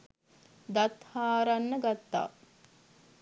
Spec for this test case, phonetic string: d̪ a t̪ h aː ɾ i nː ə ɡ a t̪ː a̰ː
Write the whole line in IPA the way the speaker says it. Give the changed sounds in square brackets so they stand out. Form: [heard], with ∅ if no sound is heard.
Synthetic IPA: d̪ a t̪ h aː ɾ [a] nː ə ɡ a t̪ː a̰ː

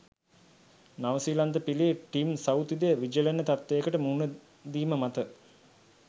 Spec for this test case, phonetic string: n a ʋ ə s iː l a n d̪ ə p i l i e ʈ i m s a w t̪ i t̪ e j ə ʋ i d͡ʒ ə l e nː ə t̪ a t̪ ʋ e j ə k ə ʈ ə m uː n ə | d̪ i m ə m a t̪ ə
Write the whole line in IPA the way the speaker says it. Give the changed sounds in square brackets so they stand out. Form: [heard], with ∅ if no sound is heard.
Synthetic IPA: n a ʋ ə s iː l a n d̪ ə p i l i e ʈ i m s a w t̪ i [d̪] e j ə ʋ i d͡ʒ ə l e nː ə t̪ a t̪ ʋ e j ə k ə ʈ ə m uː n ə | d̪ [iː] m ə m a t̪ ə

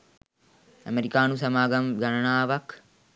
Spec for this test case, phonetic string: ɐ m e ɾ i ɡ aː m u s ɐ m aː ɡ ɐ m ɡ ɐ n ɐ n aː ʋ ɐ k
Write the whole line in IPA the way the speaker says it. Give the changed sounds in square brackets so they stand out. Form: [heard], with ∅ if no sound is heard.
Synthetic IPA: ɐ m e ɾ i [k] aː [n] u s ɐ m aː ɡ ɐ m ɡ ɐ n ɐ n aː ʋ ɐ k

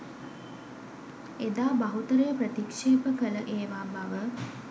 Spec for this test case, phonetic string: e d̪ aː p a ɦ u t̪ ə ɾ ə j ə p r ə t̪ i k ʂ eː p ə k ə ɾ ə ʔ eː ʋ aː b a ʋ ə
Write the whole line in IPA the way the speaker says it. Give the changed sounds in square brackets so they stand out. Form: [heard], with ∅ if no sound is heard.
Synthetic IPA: e d̪ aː [b] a ɦ u t̪ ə ɾ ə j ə p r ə t̪ i k ʂ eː p ə k ə [l] ə ʔ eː ʋ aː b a ʋ ə

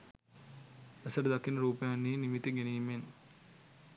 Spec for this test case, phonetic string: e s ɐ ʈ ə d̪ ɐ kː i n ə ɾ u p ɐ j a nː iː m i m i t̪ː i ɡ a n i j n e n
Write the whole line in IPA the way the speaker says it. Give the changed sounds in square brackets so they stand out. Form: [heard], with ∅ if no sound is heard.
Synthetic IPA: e s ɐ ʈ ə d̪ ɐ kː i n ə ɾ [uː] p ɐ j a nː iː [n] i m i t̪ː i ɡ [e] n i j [m] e n

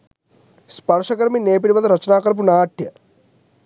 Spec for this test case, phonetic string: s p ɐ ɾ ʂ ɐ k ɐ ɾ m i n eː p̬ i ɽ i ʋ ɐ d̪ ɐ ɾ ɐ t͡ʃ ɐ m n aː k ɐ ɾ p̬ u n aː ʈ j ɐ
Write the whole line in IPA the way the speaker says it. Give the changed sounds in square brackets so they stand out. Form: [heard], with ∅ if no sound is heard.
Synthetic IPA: s p ɐ ɾ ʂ ɐ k ɐ ɾ m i n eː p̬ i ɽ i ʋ ɐ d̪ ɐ ɾ ɐ t͡ʃ ɐ [∅] n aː k ɐ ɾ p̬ u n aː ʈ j ɐ

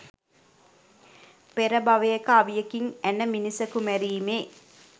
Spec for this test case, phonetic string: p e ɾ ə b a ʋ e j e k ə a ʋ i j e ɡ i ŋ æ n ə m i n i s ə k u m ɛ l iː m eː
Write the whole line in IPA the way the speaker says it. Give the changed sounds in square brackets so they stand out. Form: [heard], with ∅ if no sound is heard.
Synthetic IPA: p e ɾ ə b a ʋ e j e k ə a ʋ i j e [k] i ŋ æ n ə m i n i s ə k u m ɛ [ɾ] iː m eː

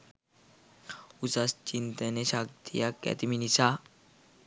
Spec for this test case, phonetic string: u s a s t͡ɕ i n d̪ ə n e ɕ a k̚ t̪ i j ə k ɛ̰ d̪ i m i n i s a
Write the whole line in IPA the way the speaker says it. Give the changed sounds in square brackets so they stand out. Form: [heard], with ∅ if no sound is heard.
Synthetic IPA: u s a s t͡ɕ i n [t̪] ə n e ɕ a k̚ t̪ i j [a] k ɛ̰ [t̪] i m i n i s a

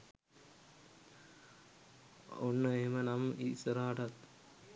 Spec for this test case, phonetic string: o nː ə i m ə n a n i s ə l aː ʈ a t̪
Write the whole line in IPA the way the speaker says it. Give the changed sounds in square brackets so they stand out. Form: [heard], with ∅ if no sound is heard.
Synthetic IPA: o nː ə [e] m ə n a [m] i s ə [ɾ] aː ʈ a t̪

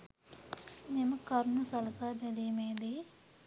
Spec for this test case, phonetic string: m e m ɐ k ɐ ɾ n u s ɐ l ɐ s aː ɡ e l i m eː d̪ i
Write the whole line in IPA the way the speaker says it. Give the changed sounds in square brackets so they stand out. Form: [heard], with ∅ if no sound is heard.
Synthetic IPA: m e m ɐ k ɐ ɾ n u s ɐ l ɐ s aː [b] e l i m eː d̪ i

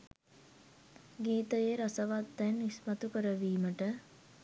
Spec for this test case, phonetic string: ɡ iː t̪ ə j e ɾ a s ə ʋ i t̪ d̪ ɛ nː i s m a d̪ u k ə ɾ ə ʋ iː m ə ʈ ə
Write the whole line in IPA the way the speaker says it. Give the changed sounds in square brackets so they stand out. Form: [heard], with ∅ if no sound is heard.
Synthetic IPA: ɡ iː t̪ ə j e ɾ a s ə ʋ [a] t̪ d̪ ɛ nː i s m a [t̪] u k ə ɾ ə ʋ iː m ə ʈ ə

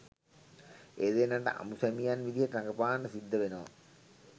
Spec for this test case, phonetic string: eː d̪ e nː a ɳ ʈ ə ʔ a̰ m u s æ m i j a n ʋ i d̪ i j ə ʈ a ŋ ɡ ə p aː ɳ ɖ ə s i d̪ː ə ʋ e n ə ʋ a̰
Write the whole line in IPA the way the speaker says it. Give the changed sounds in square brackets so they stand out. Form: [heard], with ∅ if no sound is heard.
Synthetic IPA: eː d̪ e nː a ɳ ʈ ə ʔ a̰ m u s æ m i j a n ʋ i d̪ i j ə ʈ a ŋ ɡ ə p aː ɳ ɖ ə s i d̪ː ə ʋ e n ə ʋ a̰

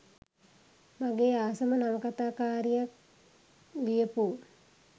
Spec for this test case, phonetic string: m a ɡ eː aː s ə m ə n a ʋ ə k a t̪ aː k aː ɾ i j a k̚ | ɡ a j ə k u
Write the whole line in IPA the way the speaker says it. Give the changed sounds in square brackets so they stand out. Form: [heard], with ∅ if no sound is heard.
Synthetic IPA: m a ɡ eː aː s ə m ə n a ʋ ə k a t̪ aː k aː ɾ i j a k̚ | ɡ [i] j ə [p] u

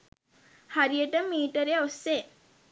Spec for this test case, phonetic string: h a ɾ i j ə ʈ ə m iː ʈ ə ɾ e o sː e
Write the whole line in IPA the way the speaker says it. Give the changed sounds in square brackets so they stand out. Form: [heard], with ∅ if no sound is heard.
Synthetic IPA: h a ɾ i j ə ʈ ə m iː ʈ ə ɾ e o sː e

